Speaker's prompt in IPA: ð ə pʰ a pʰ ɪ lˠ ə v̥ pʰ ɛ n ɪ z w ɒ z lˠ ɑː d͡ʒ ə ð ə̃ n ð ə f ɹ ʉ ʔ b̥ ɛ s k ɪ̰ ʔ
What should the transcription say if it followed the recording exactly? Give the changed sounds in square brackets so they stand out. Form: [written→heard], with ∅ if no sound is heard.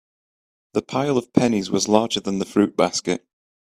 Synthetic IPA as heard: ð ə pʰ a [pʰ→∅] ɪ lˠ ə v̥ pʰ ɛ n ɪ z w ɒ z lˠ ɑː d͡ʒ ə ð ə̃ n ð ə f ɹ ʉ ʔ b̥ [ɛ→a] s k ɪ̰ ʔ